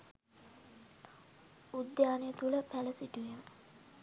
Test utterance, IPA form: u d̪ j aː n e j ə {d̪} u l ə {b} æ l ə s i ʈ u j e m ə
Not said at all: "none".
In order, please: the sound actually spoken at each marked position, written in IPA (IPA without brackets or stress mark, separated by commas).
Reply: t̪, p